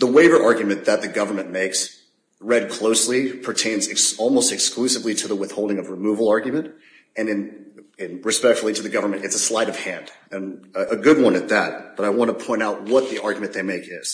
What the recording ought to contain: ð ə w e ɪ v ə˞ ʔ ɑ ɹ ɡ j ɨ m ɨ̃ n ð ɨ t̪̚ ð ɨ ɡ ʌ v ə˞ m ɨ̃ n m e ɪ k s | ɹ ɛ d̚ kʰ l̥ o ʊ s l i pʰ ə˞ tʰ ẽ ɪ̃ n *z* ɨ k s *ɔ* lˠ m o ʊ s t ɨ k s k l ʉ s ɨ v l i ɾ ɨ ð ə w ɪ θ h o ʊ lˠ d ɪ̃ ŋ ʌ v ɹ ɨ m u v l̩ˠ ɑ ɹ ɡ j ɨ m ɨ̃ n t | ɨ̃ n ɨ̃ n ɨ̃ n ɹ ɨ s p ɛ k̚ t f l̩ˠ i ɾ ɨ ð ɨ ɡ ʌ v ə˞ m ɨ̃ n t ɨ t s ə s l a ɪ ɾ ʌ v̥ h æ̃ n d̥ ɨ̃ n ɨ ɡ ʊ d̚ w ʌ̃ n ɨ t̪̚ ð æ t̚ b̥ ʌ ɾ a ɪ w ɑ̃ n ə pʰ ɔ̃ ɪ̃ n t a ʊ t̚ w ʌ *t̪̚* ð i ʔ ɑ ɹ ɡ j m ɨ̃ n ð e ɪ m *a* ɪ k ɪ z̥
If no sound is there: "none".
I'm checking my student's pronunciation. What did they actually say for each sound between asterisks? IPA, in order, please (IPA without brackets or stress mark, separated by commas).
z, ɔ, t̪̚, e